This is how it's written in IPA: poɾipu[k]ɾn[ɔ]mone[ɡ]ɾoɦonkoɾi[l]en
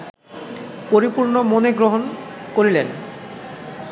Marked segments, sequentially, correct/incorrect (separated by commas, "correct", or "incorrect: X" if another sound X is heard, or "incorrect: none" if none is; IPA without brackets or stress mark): incorrect: none, incorrect: o, correct, correct